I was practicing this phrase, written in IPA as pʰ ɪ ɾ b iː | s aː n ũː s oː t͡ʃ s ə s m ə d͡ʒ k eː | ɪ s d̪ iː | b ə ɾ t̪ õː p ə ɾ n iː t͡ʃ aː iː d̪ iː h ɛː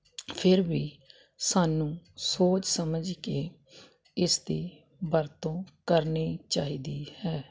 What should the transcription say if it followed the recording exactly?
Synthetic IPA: pʰ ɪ ɾ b iː | s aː n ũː s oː t͡ʃ s ə m ə d͡ʒ k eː | ɪ s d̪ iː | b ə ɾ t̪ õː k ə ɾ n iː t͡ʃ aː iː d̪ iː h ɛː

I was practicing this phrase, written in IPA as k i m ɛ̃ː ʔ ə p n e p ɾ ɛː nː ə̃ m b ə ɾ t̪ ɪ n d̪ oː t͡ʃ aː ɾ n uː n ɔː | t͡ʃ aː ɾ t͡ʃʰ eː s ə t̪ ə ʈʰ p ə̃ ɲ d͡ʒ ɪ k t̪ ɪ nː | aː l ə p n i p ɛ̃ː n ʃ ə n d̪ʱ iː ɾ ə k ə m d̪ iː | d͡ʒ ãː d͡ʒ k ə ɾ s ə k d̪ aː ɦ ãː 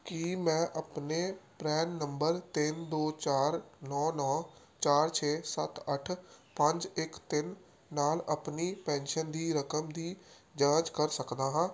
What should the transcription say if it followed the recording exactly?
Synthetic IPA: k i m ɛ̃ː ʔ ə p n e p ɾ ɛː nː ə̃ m b ə ɾ t̪ ɪ n d̪ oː t͡ʃ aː ɾ n ɔː n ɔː | t͡ʃ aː ɾ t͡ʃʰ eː s ə t̪ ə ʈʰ p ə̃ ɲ d͡ʒ ɪ k t̪ ɪ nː | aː l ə p n i p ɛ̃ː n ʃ ə n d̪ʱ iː ɾ ə k ə m d̪ iː | d͡ʒ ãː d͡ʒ k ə ɾ s ə k d̪ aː ɦ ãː

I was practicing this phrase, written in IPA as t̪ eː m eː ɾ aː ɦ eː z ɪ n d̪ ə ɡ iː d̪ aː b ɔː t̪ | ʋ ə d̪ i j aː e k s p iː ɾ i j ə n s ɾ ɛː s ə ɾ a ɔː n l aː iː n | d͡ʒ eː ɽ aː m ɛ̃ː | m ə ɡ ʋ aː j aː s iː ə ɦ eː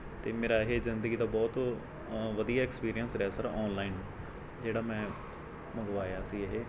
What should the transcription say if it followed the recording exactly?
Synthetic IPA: t̪ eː m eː ɾ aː ɦ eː z ɪ n d̪ ə ɡ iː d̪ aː b ɔː t̪ | ʋ ə d̪ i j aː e k s p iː ɾ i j ə n s ɾ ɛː s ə ɾ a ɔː n l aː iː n | d͡ʒ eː ɽ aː m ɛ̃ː | m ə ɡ ʋ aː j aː s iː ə ɦ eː

